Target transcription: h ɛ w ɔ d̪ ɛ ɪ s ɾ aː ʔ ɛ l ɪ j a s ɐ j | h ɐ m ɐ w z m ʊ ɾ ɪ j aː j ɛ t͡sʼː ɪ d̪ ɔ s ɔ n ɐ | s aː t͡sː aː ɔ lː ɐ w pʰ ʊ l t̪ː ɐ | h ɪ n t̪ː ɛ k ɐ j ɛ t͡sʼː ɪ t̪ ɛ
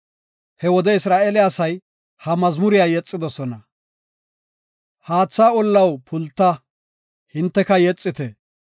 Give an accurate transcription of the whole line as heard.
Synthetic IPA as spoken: h ɛ w ɔ d̪ ɛ ɪ s ɾ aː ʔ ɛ l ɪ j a s ɐ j | h ɐ m ɐ z m ʊ ɾ ɪ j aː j ɛ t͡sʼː ɪ d̪ ɔ s ɔ n ɐ | h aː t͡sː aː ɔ lː ɐ w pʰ ʊ l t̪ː ɐ | h ɪ n t̪ː ɛ k ɐ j ɛ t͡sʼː ɪ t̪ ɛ